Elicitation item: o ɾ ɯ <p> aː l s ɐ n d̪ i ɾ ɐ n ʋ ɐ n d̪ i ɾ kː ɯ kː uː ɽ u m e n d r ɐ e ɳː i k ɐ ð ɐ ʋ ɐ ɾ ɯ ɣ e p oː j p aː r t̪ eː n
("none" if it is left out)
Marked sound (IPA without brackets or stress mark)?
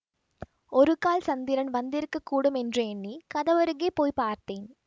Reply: k